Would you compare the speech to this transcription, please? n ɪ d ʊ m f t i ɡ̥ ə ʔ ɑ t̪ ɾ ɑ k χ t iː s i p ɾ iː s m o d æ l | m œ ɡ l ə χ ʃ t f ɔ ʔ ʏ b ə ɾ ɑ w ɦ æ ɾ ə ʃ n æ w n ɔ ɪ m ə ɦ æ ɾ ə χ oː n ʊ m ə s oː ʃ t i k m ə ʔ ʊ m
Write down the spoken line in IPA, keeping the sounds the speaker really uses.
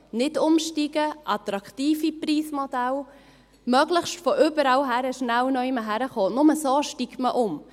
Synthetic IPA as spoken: n ɪ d ʊ m ʃ t i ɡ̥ ə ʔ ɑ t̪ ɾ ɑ k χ t iː f i p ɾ iː s m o d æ l | m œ ɡ l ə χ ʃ t f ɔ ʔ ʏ b ə ɾ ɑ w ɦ æ ɾ ə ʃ n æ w n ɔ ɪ m ə ɦ æ ɾ ə χ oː n ʊ m ə s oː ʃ t i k m ə ʔ ʊ m